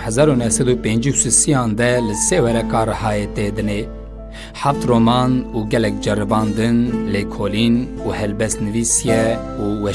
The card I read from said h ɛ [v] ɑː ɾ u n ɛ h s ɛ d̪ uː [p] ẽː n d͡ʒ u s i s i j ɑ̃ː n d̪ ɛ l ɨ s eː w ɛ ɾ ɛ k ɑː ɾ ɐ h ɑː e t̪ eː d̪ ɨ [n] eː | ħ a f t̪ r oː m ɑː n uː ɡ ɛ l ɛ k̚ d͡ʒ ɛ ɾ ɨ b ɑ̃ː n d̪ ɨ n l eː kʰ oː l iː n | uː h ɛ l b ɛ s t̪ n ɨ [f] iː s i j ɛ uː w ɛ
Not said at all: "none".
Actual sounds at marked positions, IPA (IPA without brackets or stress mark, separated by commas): z, p, n, v